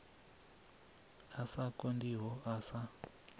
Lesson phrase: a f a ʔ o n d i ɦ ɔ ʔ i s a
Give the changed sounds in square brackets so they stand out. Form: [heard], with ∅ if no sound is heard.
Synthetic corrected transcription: a [s] a [k] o n d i ɦ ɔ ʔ [a] s a